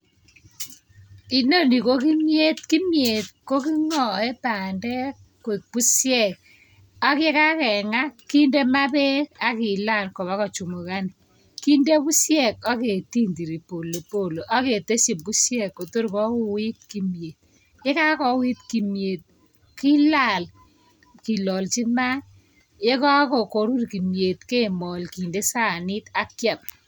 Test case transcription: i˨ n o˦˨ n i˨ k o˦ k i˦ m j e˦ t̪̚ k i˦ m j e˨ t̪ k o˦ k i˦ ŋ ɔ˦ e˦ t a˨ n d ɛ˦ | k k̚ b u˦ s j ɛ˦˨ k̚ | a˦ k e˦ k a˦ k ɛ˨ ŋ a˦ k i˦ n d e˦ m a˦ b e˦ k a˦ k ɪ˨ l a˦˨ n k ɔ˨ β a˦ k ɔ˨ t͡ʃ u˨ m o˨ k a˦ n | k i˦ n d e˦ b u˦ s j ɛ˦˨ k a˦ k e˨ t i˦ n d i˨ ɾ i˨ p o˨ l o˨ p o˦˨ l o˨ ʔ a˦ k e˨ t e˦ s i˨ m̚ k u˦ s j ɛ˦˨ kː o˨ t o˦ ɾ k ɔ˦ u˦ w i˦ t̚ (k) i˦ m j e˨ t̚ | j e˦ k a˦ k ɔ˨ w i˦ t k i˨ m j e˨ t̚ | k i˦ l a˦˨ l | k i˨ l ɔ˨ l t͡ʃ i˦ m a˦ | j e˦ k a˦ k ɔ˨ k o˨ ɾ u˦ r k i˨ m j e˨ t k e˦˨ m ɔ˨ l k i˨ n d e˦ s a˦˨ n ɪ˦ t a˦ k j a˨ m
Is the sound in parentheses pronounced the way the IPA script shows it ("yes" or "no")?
yes